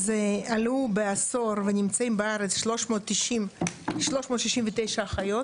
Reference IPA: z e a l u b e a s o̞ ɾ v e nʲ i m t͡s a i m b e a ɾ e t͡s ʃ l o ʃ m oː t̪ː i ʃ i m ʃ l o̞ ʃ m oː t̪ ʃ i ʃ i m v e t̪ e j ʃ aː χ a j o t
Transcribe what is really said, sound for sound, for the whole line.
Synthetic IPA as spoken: z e a l u b e a s o̞ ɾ v e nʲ i m t͡s a i m b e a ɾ e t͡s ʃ l o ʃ m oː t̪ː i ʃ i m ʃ l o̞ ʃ m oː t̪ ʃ i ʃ i m v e t̪ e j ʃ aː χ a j o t